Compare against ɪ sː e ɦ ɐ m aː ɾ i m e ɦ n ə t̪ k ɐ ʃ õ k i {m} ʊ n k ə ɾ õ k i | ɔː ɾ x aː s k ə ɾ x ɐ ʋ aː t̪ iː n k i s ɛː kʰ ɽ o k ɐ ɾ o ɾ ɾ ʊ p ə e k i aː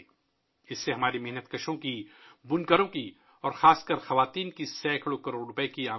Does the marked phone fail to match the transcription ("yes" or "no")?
yes